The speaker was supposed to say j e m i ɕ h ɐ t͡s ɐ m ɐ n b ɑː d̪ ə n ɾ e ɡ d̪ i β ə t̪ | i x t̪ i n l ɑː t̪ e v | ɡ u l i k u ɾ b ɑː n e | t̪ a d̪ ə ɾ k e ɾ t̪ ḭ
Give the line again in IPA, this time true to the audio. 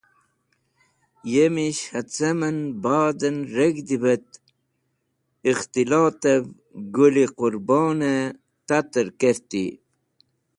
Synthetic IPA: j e m i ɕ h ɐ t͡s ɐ m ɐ n b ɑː d̪ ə n ɾ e ɡ d̪ i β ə t̪ | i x t̪ i l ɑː t̪ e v | ɡ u l i q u ɾ b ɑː n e | t̪ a t̪ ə ɾ k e ɾ t̪ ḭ